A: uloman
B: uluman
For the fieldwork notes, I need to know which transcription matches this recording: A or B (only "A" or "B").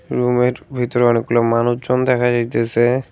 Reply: A